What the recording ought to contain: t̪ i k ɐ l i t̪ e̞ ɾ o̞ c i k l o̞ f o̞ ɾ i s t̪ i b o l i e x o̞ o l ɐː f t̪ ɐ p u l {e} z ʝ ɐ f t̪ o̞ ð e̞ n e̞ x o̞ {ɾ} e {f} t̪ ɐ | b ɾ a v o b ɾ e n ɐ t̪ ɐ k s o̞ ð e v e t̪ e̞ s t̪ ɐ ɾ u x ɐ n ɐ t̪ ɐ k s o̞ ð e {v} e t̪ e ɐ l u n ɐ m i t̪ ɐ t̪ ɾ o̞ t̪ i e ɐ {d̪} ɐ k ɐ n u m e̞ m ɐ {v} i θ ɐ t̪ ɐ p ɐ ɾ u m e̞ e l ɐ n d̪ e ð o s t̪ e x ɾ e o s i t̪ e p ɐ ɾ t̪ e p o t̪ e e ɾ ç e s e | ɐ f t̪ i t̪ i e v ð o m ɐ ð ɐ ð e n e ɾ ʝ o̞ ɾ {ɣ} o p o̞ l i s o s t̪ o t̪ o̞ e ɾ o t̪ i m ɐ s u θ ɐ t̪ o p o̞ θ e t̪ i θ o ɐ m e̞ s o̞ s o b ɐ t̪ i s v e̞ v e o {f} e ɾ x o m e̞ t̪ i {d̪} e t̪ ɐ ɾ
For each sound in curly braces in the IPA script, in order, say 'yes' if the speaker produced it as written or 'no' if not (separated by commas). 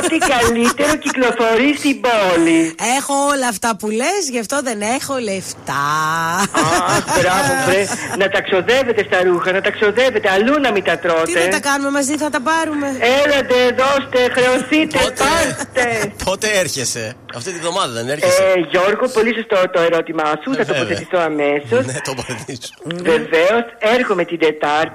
yes, no, yes, yes, no, no, yes, no, yes